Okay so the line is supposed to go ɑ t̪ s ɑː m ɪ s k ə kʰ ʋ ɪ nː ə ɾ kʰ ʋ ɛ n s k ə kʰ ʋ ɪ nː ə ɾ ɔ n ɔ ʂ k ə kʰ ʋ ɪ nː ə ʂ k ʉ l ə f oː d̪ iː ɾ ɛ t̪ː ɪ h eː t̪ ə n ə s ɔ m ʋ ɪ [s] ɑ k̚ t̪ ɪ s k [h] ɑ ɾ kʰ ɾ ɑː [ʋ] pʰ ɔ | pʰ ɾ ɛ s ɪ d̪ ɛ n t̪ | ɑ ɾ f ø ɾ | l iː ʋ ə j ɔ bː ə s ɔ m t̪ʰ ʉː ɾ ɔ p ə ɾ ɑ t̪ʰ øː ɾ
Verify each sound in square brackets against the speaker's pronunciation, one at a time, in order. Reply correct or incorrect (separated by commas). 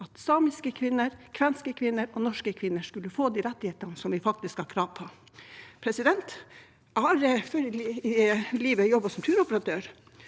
incorrect, correct, correct